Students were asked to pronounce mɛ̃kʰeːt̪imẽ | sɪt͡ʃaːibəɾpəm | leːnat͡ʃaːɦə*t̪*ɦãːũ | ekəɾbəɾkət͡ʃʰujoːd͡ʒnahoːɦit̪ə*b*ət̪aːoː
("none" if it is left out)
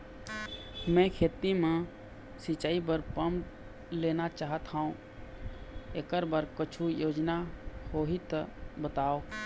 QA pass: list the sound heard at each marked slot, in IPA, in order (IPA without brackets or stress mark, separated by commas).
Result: t̪, b